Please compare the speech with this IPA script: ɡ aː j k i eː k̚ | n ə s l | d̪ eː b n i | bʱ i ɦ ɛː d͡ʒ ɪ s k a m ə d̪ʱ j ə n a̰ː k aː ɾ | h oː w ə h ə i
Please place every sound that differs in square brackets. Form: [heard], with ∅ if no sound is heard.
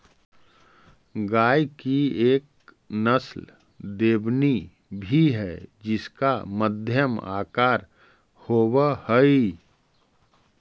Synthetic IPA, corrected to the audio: ɡ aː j k i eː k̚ | n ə s l | d̪ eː b n i | bʱ i ɦ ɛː d͡ʒ ɪ s k a m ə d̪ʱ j ə [m] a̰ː k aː ɾ | h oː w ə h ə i